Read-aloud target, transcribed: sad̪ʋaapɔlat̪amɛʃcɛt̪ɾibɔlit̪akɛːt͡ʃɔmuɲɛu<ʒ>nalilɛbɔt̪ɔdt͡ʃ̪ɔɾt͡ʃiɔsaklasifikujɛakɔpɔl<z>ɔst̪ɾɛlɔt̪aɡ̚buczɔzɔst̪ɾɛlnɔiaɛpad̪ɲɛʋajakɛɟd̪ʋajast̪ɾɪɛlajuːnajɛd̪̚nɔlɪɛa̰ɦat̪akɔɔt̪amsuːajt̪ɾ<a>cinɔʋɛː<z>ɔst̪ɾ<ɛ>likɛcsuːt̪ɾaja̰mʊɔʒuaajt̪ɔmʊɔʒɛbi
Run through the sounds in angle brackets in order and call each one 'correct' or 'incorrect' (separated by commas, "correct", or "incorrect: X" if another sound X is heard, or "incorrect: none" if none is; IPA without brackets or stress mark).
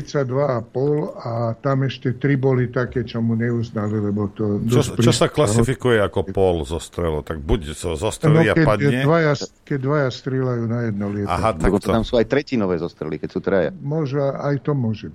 incorrect: z, correct, incorrect: ɛ, correct, correct